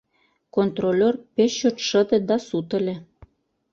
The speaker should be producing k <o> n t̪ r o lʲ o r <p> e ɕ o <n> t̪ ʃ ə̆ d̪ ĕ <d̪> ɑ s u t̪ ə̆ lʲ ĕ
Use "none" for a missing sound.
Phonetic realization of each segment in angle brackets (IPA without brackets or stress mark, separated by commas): o, p, none, d̪